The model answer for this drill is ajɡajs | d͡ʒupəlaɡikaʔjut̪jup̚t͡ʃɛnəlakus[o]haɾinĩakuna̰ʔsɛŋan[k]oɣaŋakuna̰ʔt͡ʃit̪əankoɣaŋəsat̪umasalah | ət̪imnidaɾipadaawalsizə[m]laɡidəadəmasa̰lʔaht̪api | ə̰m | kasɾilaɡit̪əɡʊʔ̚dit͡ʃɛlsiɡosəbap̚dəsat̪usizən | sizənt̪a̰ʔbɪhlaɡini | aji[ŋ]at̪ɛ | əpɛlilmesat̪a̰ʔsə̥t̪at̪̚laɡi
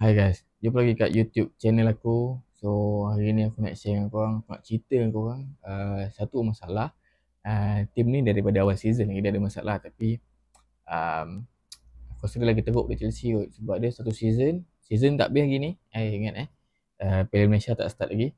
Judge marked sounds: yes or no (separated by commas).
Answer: yes, yes, no, yes